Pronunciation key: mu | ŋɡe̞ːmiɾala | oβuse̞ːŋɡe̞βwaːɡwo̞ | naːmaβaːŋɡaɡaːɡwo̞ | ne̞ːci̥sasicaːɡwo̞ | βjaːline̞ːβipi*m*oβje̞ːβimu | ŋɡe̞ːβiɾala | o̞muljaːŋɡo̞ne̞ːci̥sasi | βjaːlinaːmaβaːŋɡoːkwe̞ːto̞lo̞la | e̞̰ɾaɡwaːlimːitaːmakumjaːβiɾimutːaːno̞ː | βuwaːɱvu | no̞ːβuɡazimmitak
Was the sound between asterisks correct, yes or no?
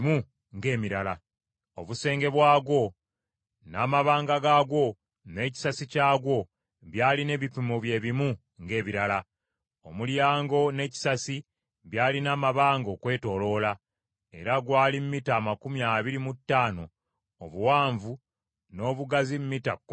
yes